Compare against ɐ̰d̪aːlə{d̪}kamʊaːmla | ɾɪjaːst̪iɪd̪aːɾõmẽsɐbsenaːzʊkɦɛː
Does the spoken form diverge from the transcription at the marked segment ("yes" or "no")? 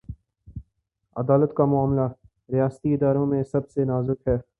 yes